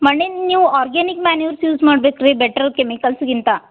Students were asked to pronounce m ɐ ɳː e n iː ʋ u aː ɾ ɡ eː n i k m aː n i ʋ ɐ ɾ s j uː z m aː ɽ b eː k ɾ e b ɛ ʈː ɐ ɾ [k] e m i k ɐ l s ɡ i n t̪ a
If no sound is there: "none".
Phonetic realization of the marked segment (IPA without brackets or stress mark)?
k